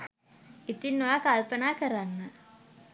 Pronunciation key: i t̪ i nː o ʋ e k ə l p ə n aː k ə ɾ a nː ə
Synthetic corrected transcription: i t̪ i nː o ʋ a k a l p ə n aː k ə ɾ a nː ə